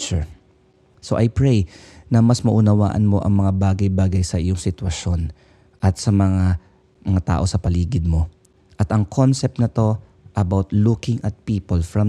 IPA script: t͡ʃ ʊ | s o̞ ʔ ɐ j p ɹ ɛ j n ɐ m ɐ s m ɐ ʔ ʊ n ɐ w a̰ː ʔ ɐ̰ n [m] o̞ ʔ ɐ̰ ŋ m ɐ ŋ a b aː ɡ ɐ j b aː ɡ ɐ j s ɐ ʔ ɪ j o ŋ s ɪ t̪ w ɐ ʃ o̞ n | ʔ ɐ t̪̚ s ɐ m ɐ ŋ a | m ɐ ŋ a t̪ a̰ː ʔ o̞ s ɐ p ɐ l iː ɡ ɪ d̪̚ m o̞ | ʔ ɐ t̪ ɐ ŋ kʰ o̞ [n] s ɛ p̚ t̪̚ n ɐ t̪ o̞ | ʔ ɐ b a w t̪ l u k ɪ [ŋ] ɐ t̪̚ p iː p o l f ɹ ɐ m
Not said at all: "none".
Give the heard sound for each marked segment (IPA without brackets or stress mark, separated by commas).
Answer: m, n, ŋ